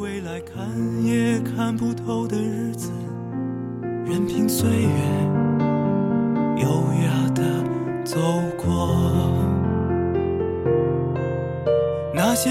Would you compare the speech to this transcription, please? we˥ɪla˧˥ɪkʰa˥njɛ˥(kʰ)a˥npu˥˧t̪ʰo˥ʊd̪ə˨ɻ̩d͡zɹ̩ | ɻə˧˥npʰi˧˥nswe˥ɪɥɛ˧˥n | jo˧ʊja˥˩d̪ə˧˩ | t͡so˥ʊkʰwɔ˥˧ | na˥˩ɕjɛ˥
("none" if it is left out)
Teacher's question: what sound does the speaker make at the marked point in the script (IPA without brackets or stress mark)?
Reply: kʰ